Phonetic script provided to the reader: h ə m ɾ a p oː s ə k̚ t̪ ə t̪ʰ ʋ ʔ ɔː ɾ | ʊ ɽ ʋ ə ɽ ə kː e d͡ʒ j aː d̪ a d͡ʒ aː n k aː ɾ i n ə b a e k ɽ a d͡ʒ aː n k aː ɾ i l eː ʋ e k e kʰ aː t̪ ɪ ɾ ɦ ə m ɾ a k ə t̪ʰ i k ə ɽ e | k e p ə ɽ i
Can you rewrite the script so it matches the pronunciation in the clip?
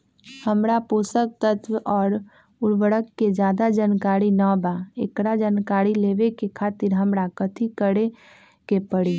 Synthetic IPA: h ə m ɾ a p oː s ə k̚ t̪ ə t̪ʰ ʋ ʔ ɔː ɾ | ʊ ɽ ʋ ə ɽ ə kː e d͡ʒ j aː d̪ a d͡ʒ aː n k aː ɾ i n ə b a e k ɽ a d͡ʒ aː n k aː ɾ i l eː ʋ e k e kʰ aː t̪ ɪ ɾ ɦ ə m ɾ a k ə t̪ʰ i k ə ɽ e | k e p ə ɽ i

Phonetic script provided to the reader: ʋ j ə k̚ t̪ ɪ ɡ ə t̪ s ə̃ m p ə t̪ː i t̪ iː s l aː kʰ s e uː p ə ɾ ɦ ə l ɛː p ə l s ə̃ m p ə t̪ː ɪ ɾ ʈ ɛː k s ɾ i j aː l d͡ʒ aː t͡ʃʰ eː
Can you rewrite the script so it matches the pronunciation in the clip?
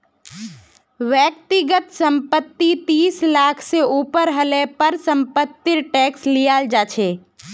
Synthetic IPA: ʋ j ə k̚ t̪ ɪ ɡ ə t̪ s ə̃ m p ə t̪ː i t̪ iː s l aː kʰ s e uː p ə ɾ ɦ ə l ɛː p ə ɾ s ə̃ m p ə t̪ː ɪ ɾ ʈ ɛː k s l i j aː l d͡ʒ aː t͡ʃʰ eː

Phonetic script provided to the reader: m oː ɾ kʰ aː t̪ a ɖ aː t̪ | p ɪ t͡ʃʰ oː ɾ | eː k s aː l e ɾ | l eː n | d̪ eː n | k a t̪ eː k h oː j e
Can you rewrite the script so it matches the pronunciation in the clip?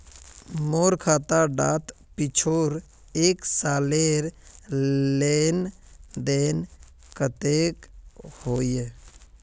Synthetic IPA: m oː ɾ kʰ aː t̪ a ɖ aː t̪ | p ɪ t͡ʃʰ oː ɾ | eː k s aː l e ɾ | l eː n | d̪ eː n | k ə t̪ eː k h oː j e

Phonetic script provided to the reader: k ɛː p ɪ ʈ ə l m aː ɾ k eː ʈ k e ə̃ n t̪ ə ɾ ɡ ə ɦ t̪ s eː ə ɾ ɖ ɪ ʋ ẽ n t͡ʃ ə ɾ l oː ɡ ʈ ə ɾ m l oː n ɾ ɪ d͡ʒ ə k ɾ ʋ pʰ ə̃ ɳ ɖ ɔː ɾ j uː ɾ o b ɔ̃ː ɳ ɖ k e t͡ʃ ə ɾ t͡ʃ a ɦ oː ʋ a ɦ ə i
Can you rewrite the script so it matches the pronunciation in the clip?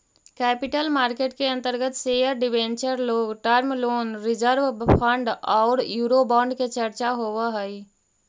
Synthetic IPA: k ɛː p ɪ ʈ ə l m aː ɾ k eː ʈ k e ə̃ n t̪ ə ɾ ɡ ə t̪ s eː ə ɾ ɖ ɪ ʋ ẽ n t͡ʃ ə ɾ l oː ɡ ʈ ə ɾ m l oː n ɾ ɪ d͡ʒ ə ɾ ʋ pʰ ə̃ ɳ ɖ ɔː ɾ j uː ɾ o b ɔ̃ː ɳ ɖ k e t͡ʃ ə ɾ t͡ʃ a ɦ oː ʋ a ɦ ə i

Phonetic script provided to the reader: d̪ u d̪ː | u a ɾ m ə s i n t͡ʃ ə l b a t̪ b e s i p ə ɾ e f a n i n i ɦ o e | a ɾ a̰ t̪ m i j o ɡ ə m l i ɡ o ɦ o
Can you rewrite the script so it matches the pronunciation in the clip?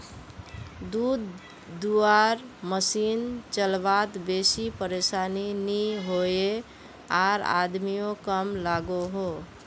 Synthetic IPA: d̪ u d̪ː | u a ɾ m ə s i n t͡ʃ ə l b a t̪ b e s i p ə ɾ e s a n i n i ɦ o e | a ɾ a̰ d̪ m i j o k ə m l a ɡ o ɦ o

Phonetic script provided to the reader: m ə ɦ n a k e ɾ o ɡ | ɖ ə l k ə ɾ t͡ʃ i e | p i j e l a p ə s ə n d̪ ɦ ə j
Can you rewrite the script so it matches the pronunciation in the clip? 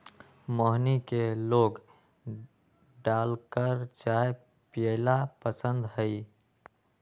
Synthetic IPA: m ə ɦ n i k e l o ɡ | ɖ a l k ə ɾ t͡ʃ a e | p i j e l a p ə s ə n d̪ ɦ ə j

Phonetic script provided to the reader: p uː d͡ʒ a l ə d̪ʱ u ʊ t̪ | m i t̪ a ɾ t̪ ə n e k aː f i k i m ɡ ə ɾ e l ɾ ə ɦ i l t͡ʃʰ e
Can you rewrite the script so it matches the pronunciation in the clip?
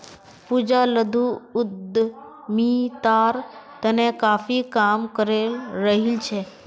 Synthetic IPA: p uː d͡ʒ a l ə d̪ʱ u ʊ d̪ | m i t̪ a ɾ t̪ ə n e k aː f i k a m k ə ɾ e l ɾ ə ɦ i l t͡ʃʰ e

